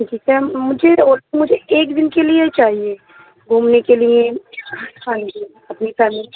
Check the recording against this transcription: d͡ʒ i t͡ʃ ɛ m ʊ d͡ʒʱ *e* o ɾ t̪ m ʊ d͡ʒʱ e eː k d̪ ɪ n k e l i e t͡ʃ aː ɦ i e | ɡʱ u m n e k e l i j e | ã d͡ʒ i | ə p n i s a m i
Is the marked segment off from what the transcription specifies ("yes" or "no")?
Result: no